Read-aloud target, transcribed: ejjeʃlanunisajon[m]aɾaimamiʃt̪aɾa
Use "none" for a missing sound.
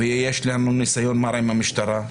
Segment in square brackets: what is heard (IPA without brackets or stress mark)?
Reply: m